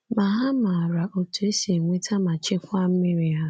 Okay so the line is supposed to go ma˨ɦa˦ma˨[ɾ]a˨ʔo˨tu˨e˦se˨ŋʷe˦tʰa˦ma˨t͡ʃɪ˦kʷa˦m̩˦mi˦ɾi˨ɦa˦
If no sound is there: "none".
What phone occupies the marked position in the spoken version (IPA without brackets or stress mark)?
ɾ